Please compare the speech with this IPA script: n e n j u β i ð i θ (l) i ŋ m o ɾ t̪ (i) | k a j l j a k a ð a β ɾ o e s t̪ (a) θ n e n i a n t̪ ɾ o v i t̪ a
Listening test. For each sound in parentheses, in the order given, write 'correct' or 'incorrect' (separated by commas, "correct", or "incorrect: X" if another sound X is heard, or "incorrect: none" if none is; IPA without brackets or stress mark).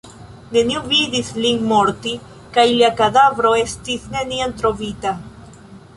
correct, correct, incorrect: i